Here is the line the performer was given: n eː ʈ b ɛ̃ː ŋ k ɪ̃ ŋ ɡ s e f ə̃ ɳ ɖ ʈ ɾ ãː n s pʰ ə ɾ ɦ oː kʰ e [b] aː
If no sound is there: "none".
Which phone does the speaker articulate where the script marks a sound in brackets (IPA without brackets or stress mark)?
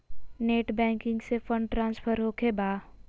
b